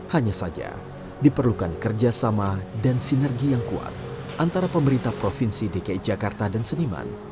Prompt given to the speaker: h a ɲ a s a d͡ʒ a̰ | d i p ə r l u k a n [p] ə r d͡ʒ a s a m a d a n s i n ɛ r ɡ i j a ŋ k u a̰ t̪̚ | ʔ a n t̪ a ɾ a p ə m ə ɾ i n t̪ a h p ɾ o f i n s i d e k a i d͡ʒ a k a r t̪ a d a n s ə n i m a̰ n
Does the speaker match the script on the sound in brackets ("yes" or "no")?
no